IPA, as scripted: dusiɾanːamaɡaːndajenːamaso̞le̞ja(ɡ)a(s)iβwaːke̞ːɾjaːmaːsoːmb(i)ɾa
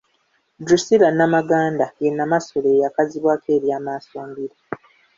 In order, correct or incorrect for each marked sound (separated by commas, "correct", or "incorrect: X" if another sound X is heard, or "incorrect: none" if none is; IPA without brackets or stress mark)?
incorrect: k, incorrect: z, correct